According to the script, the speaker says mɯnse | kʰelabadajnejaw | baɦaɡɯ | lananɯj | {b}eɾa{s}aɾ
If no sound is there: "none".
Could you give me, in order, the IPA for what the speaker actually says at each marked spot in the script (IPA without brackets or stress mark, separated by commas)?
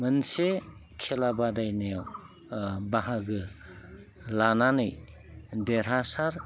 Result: d, s